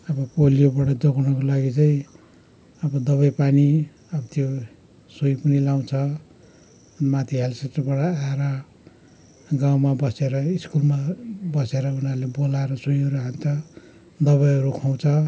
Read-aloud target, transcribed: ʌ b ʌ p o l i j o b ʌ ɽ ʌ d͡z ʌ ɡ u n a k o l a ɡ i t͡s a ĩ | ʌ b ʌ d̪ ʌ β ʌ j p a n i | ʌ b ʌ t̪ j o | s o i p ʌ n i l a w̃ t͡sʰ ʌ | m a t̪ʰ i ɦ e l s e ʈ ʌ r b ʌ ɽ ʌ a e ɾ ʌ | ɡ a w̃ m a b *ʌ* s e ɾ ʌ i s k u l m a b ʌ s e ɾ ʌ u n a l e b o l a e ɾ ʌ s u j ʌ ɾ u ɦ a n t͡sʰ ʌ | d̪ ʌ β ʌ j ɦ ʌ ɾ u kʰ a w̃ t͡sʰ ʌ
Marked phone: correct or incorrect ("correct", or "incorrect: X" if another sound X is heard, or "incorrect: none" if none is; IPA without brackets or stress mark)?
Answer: correct